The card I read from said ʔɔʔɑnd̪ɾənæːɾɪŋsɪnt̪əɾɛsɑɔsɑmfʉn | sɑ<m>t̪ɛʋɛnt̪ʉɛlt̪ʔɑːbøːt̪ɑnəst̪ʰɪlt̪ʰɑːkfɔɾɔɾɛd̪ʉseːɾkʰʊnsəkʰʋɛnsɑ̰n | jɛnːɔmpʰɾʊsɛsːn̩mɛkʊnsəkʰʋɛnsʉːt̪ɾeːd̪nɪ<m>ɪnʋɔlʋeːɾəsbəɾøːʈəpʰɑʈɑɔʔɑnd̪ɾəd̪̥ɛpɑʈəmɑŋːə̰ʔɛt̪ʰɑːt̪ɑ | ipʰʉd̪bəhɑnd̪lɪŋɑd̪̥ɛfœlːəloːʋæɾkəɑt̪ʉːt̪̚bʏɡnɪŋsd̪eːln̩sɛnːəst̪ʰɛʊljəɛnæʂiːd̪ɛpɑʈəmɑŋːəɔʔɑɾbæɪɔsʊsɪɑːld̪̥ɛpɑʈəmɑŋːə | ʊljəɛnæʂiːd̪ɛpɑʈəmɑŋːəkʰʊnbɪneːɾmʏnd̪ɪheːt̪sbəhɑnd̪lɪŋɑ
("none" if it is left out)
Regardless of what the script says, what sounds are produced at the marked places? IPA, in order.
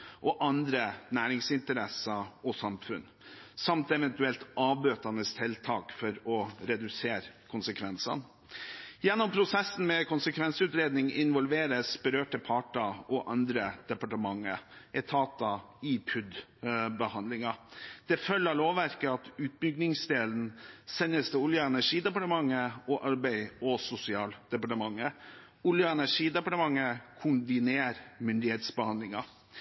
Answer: m, ŋ

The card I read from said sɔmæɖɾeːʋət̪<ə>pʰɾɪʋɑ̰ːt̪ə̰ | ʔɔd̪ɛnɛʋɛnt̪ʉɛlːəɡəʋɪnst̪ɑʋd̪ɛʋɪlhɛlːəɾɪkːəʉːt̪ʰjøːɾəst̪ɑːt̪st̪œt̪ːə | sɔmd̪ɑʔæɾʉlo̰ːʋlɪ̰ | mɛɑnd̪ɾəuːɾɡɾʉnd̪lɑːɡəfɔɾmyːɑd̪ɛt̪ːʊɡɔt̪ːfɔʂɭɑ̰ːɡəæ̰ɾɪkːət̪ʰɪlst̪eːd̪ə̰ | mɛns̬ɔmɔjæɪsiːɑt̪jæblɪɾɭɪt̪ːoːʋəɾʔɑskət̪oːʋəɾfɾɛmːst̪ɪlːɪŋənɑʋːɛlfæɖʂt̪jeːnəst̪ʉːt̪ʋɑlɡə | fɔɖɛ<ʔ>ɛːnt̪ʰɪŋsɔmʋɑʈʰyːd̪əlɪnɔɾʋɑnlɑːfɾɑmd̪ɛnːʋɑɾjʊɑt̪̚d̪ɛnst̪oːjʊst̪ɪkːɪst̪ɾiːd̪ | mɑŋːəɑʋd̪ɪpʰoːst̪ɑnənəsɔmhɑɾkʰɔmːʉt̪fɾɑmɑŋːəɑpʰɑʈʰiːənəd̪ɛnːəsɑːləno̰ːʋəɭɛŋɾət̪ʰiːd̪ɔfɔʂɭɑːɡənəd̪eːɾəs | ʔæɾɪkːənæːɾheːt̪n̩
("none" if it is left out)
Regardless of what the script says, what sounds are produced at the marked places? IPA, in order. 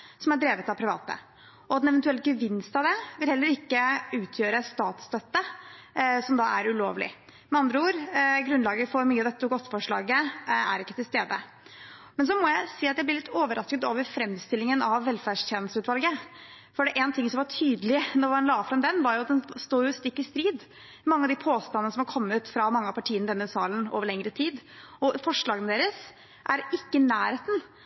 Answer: ɑ, ʔ

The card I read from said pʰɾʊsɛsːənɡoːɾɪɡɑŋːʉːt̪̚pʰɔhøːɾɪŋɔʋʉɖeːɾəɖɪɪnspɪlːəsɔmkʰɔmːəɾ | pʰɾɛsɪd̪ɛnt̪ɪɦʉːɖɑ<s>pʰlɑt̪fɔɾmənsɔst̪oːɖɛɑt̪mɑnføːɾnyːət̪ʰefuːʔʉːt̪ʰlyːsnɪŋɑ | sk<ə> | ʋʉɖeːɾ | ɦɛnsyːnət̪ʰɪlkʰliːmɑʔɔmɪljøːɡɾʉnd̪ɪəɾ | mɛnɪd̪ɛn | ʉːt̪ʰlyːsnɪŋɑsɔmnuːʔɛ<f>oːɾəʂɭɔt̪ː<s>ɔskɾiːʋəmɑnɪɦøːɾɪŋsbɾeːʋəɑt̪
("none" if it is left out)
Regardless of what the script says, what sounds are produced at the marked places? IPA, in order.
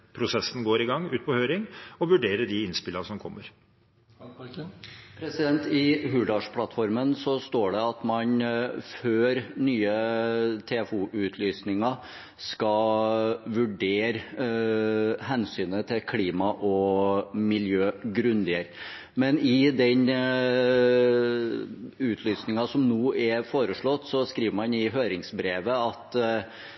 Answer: ʂ, ɑ, f, s

